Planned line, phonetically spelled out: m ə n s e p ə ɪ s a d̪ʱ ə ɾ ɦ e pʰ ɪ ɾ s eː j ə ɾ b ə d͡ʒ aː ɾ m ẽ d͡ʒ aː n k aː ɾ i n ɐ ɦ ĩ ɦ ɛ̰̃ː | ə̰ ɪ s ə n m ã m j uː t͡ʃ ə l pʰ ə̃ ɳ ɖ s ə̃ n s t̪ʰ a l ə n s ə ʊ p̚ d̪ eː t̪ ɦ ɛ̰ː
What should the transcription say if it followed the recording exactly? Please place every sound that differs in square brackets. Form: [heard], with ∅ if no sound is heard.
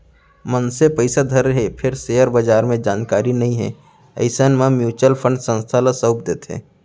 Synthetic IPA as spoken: m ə n s e p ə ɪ s a d̪ʱ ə ɾ ɦ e pʰ ɪ ɾ s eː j ə ɾ b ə d͡ʒ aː ɾ m ẽ d͡ʒ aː n k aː ɾ i n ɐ ɦ ĩ ɦ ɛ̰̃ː | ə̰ ɪ s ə n m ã m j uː t͡ʃ ə l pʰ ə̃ ɳ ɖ s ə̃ n s t̪ʰ a l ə [∅] s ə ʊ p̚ d̪ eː t̪ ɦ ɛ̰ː